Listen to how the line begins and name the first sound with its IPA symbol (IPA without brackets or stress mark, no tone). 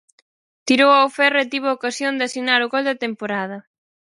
t̪